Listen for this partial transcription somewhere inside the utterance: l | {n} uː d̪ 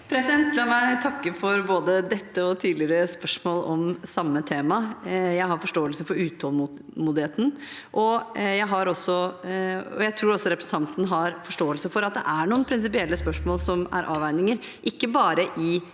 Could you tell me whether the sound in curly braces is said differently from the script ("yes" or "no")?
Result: yes